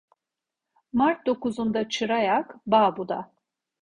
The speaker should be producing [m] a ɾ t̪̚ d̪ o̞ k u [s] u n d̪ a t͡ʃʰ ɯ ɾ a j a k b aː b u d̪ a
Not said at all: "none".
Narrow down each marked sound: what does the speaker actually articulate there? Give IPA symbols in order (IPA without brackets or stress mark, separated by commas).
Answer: m, z